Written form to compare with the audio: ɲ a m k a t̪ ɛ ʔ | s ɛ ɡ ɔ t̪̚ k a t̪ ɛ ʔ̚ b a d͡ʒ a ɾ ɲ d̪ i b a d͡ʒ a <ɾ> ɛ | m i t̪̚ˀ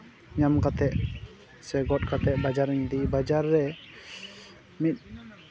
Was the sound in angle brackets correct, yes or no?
no